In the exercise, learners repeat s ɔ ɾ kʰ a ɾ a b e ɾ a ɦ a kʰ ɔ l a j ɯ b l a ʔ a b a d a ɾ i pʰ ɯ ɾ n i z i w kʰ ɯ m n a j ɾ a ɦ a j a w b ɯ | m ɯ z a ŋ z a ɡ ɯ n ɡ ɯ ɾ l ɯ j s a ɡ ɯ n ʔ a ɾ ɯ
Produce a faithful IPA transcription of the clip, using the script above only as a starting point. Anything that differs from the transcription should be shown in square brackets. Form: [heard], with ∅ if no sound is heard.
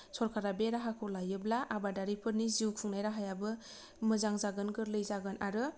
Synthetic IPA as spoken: s ɔ ɾ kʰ a ɾ a b e ɾ a ɦ a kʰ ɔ l a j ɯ b l a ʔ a b a d a ɾ i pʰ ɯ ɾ n i z i w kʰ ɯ [ŋ] n a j ɾ a ɦ a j a [∅] b ɯ | m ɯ z a ŋ z a ɡ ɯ n ɡ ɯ ɾ l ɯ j [z] a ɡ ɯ n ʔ a ɾ ɯ